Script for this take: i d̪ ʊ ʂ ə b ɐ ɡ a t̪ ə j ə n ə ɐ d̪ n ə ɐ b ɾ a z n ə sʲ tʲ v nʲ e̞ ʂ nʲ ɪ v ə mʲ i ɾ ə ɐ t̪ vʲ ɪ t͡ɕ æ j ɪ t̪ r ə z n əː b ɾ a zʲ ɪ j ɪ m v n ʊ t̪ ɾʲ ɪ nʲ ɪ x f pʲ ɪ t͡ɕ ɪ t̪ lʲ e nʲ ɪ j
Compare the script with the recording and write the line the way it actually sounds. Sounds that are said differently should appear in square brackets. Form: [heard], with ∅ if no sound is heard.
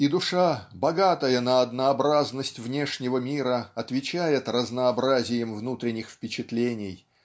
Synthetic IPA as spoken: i d̪ ʊ ʂ [a] b ɐ ɡ a t̪ ə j ə n ə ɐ d̪ n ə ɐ b ɾ a z n ə sʲ tʲ v nʲ e̞ ʂ nʲ ɪ v ə mʲ i ɾ ə ɐ t̪ vʲ ɪ t͡ɕ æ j ɪ t̪ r ə z n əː b ɾ a zʲ ɪ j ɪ m v n [u] t̪ ɾʲ ɪ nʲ ɪ x f pʲ ɪ t͡ɕ ɪ t̪ lʲ e nʲ ɪ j

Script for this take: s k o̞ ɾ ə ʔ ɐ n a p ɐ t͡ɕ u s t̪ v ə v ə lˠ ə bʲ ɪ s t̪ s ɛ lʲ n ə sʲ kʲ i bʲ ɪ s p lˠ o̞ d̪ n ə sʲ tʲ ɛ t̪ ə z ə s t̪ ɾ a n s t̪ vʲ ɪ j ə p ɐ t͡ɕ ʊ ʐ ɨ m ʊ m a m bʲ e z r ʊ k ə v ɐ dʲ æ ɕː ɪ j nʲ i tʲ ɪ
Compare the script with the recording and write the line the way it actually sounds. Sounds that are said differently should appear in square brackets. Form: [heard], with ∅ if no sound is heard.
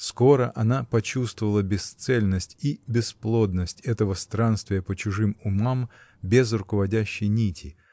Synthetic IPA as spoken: s k o̞ ɾ ə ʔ ɐ n a p ɐ t͡ɕ u s t̪ v ə v ə lˠ ə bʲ ɪ s t̪ s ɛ lʲ n ə sʲ [tʲ] i bʲ ɪ s p lˠ o̞ d̪ n ə sʲ tʲ ɛ t̪ ə [v] ə s t̪ ɾ a n s t̪ vʲ ɪ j ə p [ə] t͡ɕ ʊ ʐ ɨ m ʊ m a m bʲ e z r ʊ k ə v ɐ dʲ æ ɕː ɪ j nʲ i tʲ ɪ

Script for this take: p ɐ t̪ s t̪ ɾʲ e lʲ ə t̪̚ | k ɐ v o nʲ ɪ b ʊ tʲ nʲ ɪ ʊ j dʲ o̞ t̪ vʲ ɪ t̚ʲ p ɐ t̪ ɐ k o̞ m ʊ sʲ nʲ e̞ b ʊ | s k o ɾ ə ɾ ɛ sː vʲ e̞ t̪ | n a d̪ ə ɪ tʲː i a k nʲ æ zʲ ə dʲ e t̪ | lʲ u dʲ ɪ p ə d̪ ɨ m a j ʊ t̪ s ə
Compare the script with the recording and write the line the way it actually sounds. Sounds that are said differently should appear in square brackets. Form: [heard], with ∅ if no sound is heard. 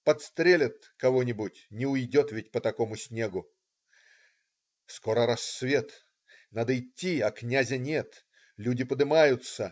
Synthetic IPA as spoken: p ɐ t̪ s t̪ ɾʲ e lʲ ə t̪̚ | k ɐ v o nʲ ɪ b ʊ tʲ nʲ ɪ ʊ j dʲ o̞ t̪ vʲ ɪ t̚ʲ p [ə] t̪ ɐ k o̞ m ʊ sʲ nʲ e̞ [ɡ] ʊ | s k o ɾ ə ɾ [a] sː vʲ e̞ t̪ | n a d̪ ə ɪ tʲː i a k nʲ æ zʲ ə [nʲ] e t̪ | lʲ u dʲ ɪ p ə d̪ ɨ m a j ʊ t̪ s ə

